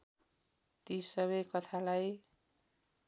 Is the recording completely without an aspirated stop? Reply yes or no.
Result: no